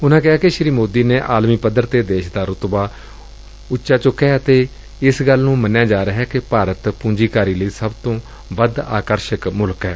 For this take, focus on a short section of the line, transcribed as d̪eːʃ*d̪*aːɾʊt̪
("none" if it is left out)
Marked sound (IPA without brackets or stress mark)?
d̪